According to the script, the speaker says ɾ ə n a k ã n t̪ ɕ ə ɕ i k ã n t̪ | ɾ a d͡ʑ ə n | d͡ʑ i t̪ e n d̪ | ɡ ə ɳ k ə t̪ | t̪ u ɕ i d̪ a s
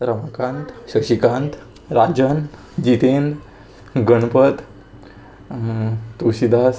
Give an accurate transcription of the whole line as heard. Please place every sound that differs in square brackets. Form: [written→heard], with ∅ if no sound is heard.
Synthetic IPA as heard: ɾ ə [n→m] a k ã n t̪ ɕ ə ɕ i k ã n t̪ | ɾ a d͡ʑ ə n | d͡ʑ i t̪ e n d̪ | ɡ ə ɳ [k→p] ə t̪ | t̪ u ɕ i d̪ a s